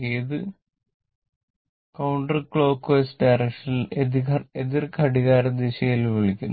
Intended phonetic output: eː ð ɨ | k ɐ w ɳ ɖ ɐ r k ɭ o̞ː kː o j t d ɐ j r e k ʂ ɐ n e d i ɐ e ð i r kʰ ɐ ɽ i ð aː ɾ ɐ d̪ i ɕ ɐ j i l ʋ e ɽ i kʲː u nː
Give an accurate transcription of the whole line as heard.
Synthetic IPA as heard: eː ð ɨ | k ɐ w ɳ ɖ ɐ r k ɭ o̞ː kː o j s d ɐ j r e k ʂ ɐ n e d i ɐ e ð i r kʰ ɐ ɽ i ɣ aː ɾ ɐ d̪ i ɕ ɐ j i l ʋ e ɭ i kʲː u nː